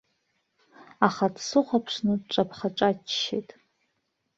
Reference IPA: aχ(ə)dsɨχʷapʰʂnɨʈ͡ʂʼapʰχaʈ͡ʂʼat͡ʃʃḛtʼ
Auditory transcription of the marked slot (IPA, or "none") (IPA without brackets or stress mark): a